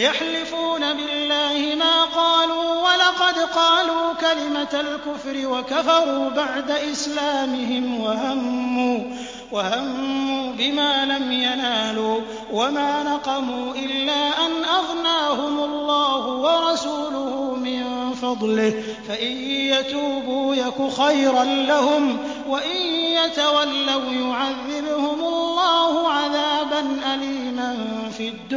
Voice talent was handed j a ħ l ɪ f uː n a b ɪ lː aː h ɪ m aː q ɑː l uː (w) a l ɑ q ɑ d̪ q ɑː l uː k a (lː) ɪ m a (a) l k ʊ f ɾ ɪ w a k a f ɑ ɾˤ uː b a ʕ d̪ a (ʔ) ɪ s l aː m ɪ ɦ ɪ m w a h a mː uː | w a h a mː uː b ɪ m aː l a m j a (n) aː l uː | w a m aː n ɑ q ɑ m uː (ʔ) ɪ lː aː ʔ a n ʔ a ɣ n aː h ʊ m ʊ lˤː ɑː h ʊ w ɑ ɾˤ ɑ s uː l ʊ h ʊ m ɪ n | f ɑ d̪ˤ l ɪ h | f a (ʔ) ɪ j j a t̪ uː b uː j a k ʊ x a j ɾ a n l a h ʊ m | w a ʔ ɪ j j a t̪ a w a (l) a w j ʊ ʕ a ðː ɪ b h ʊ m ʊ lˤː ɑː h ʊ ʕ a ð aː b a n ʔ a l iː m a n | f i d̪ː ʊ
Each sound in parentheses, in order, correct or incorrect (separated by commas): correct, incorrect, correct, correct, correct, correct, correct, incorrect